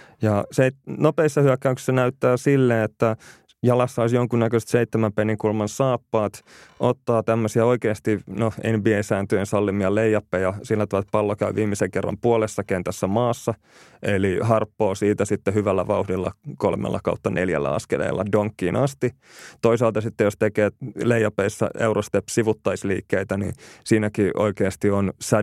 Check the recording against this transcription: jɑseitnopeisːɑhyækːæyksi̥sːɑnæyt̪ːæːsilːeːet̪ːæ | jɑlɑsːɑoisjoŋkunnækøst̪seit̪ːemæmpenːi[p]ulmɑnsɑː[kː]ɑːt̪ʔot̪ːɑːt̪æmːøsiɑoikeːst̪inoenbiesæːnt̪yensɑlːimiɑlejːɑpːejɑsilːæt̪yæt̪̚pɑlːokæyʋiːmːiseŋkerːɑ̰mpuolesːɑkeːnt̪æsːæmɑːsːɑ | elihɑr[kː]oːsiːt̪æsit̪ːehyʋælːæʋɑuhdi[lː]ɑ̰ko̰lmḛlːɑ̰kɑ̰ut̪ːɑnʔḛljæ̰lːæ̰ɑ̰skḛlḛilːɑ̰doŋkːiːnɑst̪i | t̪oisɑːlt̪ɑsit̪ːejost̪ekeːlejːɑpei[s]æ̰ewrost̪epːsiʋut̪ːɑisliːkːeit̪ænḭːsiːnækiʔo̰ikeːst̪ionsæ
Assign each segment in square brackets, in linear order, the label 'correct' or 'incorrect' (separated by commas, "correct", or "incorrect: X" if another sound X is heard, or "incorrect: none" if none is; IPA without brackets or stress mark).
incorrect: k, incorrect: pː, incorrect: pː, correct, incorrect: sː